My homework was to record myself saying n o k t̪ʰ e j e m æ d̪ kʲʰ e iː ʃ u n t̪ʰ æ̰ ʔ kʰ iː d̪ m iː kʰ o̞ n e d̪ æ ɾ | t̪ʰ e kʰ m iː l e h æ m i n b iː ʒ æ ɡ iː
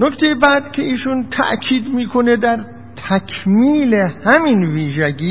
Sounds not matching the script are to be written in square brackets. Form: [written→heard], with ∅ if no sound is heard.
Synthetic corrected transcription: n o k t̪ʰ e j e [m→b] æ d̪ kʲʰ e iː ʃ u n t̪ʰ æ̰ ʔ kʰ iː d̪ m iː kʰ o̞ n e d̪ æ ɾ | t̪ʰ [e→æ] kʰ m iː l e h æ m i n [b→v] iː ʒ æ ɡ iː